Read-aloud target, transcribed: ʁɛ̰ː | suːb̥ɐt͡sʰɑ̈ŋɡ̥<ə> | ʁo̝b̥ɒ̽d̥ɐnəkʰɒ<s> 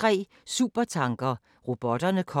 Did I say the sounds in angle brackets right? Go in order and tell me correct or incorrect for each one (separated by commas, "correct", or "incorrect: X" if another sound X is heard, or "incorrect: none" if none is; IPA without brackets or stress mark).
incorrect: ɐ, incorrect: none